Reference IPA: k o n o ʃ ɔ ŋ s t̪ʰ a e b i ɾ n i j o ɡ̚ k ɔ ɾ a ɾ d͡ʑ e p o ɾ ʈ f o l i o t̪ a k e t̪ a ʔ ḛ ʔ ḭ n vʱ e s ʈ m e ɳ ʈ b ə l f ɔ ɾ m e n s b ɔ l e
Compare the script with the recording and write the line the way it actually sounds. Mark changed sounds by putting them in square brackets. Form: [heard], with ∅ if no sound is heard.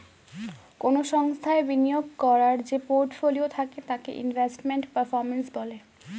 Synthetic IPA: k o n o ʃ ɔ ŋ s t̪ʰ a e b i [∅] n i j o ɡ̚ k ɔ ɾ a ɾ d͡ʑ e p o ɾ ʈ f o l i o [t̪ʰ] a k e t̪ a [k] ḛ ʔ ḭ n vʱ e s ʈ m e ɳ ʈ [p] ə [ɾ] f ɔ ɾ m e n s b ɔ l e